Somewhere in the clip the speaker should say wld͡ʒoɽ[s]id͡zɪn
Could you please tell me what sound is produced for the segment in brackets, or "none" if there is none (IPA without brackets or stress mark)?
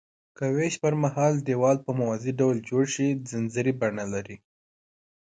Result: ʃ